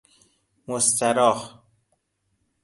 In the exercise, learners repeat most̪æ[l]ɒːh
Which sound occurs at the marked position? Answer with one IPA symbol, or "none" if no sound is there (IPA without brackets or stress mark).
ɾ